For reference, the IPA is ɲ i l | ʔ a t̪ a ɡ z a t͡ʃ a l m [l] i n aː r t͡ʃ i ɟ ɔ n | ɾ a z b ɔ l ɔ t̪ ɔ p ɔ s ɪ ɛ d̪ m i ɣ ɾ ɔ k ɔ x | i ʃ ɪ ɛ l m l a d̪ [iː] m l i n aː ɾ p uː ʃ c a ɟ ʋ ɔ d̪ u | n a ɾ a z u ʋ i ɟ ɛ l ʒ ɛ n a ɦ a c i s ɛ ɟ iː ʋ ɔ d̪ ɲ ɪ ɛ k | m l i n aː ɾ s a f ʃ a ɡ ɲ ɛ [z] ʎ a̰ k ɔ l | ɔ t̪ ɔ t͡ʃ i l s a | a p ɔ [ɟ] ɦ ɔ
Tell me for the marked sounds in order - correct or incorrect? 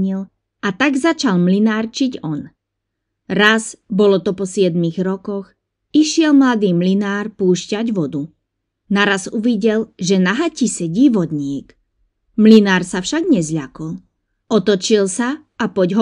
correct, correct, correct, correct

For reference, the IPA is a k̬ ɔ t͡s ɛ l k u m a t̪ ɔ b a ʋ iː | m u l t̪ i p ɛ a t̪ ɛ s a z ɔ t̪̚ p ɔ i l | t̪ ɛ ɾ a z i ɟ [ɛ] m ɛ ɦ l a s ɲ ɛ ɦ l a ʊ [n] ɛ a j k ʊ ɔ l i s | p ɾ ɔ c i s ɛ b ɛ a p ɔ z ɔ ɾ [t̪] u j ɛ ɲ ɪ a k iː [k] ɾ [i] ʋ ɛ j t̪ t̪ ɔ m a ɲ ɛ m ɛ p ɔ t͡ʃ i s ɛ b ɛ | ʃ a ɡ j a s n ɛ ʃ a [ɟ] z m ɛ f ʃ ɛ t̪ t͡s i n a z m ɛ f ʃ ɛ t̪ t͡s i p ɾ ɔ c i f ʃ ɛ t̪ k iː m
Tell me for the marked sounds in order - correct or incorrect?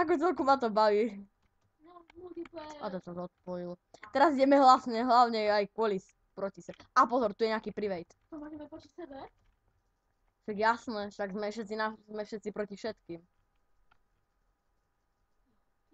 correct, incorrect: ɲ, correct, incorrect: p, correct, incorrect: ɡ

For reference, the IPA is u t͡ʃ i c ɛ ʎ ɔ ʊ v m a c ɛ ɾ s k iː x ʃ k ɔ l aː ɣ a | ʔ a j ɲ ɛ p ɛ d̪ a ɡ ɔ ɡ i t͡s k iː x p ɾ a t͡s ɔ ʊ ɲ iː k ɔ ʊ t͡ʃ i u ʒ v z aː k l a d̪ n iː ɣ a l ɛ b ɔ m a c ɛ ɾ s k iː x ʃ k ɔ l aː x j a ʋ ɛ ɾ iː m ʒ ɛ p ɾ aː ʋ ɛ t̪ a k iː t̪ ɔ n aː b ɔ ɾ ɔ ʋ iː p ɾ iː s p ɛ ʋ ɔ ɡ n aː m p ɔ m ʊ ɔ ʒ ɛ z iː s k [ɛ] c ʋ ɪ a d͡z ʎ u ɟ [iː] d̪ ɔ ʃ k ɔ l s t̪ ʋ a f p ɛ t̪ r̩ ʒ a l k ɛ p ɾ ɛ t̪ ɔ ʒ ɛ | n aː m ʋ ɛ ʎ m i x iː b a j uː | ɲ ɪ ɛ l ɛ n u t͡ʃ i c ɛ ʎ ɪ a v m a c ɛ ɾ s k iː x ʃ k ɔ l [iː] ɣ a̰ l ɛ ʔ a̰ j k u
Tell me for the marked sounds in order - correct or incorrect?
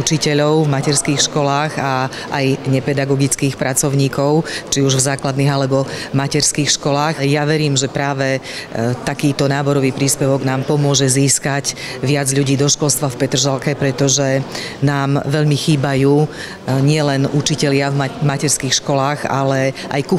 incorrect: a, correct, incorrect: aː

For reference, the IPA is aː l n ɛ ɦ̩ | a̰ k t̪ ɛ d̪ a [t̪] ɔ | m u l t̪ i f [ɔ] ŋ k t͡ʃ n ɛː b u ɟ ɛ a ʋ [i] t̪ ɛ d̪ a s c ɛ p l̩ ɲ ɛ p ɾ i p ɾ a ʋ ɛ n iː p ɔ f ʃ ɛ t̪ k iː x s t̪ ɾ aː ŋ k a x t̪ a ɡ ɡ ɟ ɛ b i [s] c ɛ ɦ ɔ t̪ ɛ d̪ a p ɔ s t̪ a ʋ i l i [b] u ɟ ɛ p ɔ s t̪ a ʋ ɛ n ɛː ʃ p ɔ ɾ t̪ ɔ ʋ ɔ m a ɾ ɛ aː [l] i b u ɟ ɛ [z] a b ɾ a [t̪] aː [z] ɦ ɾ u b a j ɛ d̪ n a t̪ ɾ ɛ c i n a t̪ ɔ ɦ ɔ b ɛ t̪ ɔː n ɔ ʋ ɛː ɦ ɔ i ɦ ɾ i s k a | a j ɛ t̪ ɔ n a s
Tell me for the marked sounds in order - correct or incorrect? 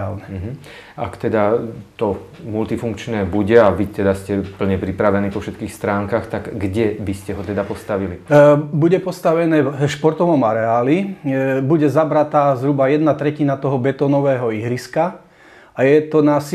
correct, incorrect: u, correct, correct, correct, correct, correct, correct, correct

